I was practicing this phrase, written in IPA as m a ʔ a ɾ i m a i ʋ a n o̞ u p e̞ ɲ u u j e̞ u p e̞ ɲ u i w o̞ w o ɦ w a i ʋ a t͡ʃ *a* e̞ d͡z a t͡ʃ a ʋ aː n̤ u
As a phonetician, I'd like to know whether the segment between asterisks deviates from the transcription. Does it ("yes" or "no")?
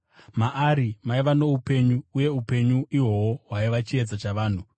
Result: yes